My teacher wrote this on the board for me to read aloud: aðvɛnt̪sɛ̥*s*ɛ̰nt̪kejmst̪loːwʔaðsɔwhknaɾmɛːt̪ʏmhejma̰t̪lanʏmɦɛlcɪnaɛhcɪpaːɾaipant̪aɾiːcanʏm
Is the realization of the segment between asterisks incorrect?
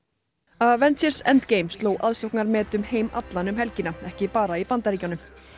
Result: no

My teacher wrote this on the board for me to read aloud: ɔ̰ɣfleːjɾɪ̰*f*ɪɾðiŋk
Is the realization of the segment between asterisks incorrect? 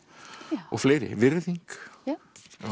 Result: yes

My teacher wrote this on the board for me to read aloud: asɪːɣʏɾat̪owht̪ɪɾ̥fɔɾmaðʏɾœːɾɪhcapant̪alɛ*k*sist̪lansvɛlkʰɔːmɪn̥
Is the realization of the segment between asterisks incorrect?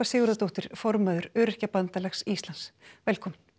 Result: yes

